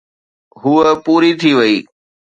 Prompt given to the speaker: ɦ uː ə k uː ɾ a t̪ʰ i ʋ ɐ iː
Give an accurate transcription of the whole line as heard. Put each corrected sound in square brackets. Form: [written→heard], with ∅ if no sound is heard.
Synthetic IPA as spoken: ɦ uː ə [k→p] uː ɾ [a→i] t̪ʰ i ʋ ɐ iː